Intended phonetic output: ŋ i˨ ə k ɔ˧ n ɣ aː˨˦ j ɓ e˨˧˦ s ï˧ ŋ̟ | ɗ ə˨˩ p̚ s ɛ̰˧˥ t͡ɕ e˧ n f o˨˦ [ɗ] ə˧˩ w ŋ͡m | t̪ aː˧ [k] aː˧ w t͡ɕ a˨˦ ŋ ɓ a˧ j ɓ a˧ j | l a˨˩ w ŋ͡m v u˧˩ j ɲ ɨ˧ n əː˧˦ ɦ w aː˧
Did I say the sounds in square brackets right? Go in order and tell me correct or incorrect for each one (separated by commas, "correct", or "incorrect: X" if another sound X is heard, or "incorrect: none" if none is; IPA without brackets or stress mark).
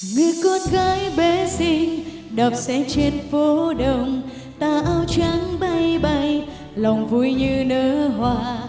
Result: correct, incorrect: ʔ